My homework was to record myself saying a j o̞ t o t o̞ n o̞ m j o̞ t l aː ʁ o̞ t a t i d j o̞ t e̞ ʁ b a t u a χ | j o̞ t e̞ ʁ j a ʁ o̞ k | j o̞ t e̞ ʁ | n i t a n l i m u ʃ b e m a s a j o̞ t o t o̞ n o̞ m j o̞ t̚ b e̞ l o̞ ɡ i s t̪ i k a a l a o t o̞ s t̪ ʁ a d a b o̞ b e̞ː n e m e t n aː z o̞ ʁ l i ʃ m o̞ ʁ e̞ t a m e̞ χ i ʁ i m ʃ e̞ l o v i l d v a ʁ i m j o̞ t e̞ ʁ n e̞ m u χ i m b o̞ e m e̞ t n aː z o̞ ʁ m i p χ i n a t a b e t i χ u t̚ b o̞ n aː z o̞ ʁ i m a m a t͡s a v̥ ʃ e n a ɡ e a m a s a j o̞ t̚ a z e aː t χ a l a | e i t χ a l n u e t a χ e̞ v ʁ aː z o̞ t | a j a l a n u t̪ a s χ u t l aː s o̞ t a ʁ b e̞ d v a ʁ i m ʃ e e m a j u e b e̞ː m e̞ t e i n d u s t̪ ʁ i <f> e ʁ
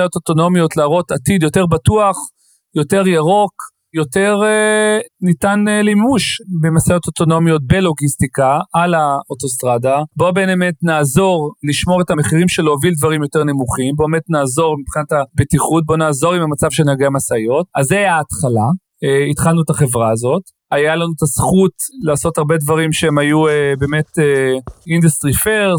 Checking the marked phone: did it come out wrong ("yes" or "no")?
no